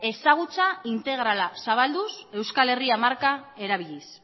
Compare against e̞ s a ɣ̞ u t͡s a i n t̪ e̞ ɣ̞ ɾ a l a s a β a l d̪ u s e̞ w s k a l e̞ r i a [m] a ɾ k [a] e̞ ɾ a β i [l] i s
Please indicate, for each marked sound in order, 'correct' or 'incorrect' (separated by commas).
correct, correct, incorrect